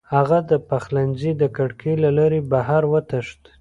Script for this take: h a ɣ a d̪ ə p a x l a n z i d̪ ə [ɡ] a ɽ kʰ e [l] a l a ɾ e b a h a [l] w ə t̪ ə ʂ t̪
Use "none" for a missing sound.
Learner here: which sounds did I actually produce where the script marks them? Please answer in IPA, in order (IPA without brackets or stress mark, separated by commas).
k, l, ɾ